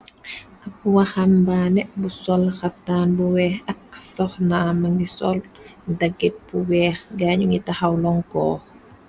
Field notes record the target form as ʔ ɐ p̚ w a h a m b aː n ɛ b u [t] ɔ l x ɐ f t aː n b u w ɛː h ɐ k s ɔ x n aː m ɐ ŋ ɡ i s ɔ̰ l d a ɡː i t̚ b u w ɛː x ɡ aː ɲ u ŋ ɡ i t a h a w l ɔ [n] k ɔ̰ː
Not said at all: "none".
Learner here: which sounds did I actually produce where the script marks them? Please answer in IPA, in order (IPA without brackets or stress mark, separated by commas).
s, ŋ